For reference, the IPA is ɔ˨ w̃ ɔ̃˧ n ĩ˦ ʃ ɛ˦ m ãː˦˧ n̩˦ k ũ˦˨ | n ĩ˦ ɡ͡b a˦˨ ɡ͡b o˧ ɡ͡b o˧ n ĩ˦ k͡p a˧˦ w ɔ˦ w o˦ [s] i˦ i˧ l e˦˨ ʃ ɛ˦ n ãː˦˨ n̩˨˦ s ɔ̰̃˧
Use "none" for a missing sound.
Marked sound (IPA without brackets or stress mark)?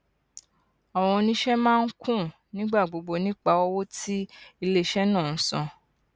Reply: t